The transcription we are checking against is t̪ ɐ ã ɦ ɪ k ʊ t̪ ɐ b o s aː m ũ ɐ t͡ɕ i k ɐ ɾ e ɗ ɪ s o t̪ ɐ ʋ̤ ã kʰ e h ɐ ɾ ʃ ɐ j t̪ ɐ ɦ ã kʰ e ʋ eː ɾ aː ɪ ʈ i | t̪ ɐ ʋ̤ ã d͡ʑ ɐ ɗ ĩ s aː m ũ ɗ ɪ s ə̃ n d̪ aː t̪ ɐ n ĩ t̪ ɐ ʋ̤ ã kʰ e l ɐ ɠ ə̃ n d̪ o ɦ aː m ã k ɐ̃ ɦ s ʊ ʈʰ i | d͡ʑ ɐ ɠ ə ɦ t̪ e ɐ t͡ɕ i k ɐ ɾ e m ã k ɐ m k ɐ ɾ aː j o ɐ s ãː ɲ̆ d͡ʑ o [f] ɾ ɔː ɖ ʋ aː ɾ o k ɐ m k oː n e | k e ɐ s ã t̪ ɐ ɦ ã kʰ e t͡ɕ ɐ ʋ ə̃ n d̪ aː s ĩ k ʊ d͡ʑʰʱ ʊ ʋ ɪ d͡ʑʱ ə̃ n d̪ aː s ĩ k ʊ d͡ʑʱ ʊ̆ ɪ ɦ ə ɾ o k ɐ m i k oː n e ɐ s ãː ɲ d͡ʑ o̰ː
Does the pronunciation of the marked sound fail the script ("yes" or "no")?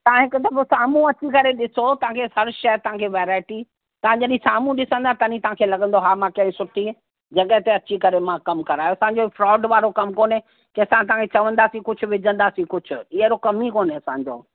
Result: no